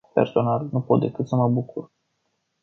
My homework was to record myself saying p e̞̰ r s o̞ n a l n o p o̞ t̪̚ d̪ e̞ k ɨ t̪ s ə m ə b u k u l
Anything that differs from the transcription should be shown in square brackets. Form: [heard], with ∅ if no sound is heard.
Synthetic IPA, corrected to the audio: p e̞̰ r s o̞ n a l n [u] p o̞ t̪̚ d̪ e̞ k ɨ t̪ s ə m ə b u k u [r]